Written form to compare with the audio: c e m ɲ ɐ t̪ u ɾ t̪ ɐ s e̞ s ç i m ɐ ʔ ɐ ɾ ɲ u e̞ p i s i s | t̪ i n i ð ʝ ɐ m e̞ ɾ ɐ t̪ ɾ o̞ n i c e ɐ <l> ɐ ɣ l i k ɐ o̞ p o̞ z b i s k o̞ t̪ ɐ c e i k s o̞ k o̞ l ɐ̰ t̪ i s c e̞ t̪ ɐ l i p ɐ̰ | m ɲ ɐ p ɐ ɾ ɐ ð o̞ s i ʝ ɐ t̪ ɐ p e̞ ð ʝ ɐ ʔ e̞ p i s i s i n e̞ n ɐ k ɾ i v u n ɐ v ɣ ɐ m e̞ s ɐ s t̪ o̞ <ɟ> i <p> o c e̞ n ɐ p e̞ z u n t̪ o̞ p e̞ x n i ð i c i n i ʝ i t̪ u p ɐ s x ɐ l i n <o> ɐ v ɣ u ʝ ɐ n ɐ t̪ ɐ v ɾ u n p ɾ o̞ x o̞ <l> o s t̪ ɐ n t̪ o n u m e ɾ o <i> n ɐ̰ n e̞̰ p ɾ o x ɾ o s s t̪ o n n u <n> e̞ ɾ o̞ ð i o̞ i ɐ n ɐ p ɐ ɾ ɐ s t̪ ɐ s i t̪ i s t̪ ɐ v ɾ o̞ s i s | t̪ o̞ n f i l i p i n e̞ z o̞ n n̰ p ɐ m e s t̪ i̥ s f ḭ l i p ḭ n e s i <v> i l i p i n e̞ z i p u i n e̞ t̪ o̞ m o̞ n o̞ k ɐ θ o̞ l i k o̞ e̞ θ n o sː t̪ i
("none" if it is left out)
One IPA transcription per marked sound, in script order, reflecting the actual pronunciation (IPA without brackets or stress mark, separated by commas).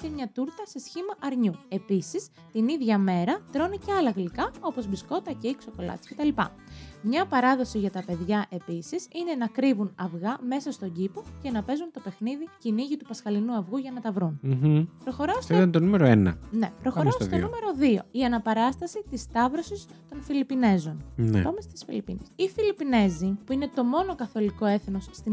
l, ɟ, p, u, ɾ, e, m, f